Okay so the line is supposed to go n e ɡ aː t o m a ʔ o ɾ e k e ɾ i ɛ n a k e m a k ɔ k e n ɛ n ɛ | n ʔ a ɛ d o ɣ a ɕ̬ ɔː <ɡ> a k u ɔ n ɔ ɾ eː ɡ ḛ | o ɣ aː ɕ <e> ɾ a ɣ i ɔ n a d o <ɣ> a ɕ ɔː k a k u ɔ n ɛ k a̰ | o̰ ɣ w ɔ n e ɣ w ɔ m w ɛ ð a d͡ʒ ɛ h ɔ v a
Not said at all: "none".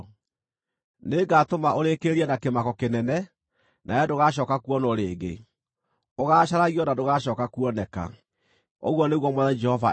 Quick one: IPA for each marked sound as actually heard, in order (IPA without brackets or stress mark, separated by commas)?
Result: k, a, ɣ